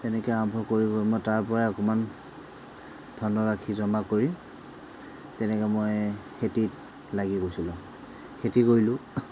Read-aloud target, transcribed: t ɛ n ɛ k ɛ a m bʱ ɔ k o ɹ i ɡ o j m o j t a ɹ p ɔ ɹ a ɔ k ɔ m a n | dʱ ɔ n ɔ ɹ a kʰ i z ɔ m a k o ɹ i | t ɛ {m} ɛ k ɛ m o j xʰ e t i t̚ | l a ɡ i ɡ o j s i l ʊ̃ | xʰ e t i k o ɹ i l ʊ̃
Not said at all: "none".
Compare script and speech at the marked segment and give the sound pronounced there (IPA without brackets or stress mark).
n